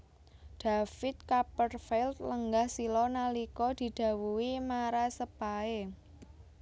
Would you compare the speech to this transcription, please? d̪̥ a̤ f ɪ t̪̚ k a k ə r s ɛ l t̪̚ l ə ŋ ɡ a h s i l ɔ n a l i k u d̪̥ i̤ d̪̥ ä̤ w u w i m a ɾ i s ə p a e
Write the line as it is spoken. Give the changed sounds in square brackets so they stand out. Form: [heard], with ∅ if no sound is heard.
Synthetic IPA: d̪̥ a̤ f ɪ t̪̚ k a [p] ə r [f] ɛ l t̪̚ l ə ŋ ɡ a h s i l ɔ n a l i k [ɔ] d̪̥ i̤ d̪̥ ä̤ w u w i m a ɾ [a] s ə p a e